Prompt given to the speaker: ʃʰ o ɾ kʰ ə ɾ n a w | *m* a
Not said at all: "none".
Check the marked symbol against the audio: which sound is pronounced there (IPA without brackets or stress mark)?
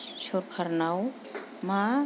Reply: m